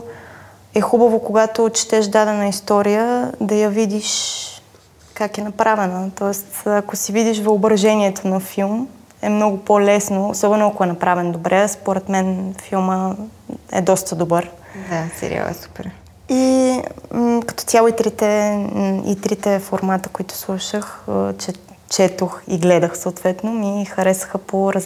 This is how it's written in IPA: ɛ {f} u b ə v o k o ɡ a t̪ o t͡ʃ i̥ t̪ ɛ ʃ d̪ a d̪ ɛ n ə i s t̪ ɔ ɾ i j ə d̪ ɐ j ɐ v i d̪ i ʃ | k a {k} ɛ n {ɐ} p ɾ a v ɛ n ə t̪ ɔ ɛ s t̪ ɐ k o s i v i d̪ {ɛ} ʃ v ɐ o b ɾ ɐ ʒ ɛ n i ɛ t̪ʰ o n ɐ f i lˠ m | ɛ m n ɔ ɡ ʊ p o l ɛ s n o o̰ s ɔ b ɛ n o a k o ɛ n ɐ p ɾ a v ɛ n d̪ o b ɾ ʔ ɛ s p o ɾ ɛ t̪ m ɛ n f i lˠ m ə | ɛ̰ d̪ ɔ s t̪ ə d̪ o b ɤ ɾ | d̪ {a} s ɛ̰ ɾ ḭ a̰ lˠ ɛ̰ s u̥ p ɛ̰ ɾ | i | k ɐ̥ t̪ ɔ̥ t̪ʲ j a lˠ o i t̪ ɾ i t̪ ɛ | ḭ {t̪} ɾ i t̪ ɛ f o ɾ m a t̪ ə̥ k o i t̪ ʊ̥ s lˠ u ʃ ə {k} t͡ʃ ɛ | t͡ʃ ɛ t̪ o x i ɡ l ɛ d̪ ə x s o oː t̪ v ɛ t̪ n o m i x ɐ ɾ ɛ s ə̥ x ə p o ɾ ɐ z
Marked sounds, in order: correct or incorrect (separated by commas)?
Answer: incorrect, correct, correct, incorrect, correct, correct, incorrect